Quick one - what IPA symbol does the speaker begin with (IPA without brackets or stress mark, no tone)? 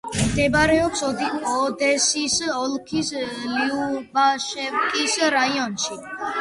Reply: m